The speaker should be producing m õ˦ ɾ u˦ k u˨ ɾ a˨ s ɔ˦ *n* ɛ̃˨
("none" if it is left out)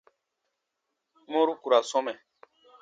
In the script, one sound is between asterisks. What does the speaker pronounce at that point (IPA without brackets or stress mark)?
m